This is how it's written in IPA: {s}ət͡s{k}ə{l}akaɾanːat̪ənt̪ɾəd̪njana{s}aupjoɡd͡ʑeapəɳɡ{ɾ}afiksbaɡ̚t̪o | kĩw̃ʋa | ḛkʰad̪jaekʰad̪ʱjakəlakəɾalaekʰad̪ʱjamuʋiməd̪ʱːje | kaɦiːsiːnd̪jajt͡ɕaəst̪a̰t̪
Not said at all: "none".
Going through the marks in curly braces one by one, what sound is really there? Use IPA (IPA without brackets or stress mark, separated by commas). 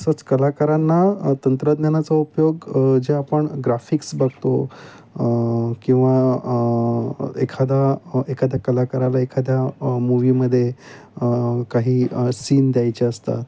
s, k, l, t͡s, ɾ